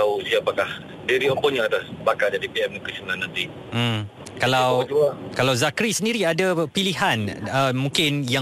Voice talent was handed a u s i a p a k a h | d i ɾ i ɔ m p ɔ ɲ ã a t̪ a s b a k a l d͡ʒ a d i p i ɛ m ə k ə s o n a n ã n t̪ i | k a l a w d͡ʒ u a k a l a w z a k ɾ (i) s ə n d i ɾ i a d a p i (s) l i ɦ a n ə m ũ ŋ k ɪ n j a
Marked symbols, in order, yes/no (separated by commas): yes, no